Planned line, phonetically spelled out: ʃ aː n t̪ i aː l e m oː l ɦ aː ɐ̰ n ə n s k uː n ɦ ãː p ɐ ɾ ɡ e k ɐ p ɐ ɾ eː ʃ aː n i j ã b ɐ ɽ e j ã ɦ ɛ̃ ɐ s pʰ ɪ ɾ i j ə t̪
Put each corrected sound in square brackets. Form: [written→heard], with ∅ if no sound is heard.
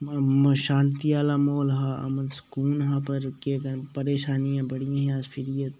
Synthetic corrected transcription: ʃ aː n t̪ i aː l [e→a] m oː l ɦ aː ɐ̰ [n→m] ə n s k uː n ɦ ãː p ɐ ɾ [ɡ→k] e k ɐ p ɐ ɾ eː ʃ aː n i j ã b ɐ ɽ [e→i] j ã ɦ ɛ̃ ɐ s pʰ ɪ ɾ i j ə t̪